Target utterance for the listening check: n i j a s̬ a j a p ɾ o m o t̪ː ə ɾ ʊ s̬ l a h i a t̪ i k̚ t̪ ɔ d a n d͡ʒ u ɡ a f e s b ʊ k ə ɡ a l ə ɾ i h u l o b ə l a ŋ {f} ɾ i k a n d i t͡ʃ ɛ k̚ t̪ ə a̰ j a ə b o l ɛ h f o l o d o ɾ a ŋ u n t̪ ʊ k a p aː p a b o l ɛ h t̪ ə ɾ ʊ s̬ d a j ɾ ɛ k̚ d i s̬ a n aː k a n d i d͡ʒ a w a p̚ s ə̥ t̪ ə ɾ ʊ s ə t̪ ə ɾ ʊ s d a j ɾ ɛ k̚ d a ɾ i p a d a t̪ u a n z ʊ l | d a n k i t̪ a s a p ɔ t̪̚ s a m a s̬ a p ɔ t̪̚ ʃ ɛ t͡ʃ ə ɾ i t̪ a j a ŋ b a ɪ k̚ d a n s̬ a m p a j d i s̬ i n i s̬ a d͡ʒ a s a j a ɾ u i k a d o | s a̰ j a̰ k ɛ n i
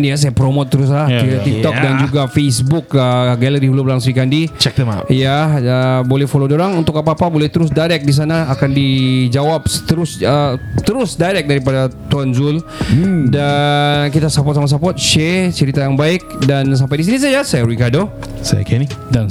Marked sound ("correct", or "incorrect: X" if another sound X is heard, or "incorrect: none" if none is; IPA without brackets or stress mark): incorrect: s